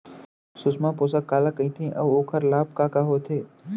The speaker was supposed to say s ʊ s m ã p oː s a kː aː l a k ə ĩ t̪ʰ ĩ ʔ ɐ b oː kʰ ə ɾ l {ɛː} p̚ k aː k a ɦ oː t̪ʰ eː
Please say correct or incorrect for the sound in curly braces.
incorrect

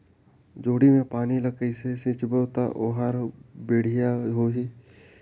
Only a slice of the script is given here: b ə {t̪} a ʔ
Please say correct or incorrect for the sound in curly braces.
correct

